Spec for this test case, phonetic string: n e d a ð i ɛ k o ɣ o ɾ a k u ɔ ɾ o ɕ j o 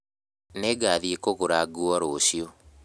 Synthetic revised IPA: n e ɡ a ð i e k o ɣ o ɾ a ɡ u ɔ ɾ o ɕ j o